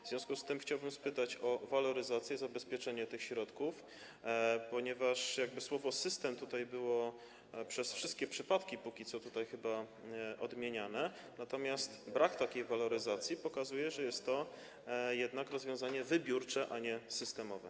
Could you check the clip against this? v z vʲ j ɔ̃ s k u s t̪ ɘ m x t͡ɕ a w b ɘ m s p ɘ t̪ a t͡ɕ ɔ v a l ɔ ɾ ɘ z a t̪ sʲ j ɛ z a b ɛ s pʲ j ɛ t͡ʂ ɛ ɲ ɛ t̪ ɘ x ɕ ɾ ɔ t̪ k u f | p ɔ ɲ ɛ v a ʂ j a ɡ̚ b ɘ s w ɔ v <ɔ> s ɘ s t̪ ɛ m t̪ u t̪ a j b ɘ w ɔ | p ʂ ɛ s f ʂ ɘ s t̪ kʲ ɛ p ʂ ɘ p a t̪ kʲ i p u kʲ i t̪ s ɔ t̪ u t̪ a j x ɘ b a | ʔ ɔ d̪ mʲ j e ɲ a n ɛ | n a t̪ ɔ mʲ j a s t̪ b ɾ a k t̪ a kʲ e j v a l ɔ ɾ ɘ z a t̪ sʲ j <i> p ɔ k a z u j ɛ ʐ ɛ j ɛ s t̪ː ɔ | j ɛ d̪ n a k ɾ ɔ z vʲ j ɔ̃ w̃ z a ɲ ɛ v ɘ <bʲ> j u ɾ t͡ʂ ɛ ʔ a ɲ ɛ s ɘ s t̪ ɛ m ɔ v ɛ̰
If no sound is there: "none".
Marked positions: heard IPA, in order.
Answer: ɔ, i, bʲ

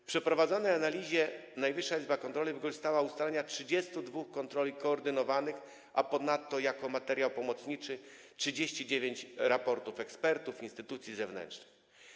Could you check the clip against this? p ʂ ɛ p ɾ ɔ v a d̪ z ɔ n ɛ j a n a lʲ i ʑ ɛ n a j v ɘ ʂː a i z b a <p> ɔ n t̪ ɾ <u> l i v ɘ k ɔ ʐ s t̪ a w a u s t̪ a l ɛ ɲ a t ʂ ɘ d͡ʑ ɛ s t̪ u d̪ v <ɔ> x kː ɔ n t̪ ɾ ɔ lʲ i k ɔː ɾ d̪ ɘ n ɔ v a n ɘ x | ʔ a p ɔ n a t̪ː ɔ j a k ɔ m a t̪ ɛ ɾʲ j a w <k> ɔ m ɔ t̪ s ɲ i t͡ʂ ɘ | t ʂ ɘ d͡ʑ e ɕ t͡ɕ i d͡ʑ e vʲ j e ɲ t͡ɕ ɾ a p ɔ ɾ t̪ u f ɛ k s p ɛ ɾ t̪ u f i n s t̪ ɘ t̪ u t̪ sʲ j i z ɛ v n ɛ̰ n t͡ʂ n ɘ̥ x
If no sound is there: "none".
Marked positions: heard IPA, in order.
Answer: k, ɔ, u, p

